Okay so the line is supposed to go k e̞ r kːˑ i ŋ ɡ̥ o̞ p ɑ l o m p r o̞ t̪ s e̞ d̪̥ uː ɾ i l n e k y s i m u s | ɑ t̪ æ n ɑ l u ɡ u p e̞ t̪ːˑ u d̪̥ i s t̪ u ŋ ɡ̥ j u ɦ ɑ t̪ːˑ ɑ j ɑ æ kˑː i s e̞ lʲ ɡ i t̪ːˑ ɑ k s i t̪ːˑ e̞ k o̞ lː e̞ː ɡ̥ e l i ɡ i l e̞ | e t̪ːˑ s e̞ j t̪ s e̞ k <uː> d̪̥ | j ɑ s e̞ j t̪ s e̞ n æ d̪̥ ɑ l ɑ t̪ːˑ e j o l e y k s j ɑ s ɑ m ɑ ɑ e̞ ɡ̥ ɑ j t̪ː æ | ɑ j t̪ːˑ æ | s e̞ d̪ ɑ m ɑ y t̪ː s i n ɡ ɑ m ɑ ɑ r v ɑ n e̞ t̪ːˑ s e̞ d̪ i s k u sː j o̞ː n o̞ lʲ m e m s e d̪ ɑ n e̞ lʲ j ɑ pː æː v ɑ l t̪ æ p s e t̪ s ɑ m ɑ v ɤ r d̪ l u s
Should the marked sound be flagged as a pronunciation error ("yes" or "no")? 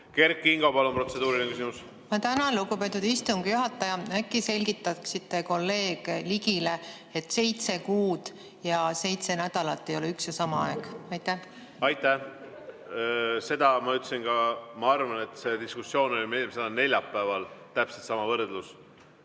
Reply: no